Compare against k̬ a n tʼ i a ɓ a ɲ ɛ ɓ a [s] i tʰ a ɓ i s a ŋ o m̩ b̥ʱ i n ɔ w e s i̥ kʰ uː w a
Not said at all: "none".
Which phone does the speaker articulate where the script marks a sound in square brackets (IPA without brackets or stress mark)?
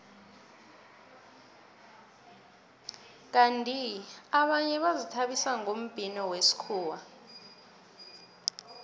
z